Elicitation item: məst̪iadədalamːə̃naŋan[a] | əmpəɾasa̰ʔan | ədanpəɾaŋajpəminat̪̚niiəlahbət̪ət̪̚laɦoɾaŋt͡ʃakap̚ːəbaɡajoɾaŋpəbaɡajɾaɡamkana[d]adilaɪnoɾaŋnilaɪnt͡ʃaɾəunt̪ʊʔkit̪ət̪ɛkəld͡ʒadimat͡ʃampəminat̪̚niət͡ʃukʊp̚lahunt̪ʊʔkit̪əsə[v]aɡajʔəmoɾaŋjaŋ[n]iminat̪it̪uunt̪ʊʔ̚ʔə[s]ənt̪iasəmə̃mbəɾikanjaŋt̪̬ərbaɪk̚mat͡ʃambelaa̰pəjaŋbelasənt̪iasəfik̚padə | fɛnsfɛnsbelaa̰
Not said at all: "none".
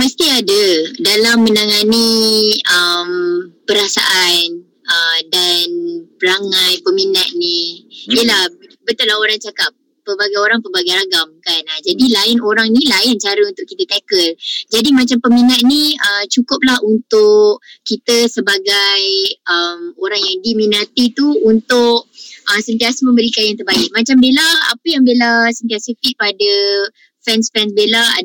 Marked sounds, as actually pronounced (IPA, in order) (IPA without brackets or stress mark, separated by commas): i, d͡ʒ, b, d, s